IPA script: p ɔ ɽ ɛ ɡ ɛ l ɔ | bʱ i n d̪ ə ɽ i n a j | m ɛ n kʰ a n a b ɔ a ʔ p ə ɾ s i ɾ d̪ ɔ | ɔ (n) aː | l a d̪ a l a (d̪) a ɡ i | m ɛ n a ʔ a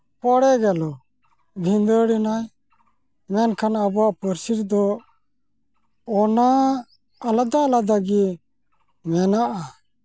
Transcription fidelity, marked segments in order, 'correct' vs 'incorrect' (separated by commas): correct, correct